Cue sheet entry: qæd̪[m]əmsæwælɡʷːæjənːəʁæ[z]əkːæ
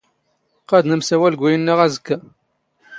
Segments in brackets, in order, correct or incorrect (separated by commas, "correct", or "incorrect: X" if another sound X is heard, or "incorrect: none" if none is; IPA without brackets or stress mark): incorrect: n, correct